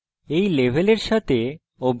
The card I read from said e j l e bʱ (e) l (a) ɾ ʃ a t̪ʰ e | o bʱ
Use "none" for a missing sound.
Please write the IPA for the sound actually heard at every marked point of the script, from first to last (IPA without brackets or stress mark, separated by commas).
e, e